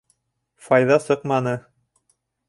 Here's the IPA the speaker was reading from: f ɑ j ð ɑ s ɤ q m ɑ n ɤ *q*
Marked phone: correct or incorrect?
incorrect